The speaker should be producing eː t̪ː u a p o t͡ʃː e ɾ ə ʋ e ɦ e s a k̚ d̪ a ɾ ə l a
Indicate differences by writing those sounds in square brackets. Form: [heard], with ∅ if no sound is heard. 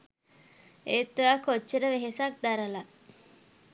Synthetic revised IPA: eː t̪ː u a [k] o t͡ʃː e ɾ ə ʋ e ɦ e s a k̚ d̪ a ɾ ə l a